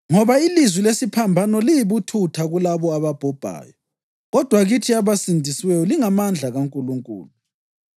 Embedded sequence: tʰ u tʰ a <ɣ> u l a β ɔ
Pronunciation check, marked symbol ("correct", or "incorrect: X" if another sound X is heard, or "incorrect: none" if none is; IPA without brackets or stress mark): correct